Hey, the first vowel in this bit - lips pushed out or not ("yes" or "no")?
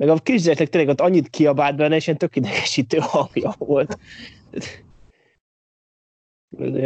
no